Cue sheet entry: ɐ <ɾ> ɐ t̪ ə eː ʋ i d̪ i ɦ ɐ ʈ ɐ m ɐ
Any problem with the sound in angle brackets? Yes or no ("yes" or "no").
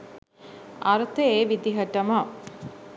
no